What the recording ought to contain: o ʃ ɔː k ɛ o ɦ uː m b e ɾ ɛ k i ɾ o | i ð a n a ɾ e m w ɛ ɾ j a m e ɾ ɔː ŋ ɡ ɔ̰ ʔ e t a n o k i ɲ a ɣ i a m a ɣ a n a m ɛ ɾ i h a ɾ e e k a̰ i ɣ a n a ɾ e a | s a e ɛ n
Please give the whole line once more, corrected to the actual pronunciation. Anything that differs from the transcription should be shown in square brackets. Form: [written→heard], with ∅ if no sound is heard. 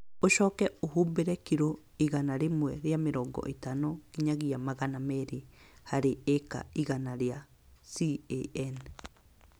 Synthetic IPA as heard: o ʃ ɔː k ɛ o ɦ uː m b e ɾ ɛ k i ɾ o | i [ð→ɣ] a n a ɾ e m w ɛ ɾ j a m e ɾ ɔː ŋ ɡ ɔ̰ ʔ e t a n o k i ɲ a ɣ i a m a ɣ a n a m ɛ ɾ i h a ɾ e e k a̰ i ɣ a n a ɾ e a | s [a→i] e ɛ n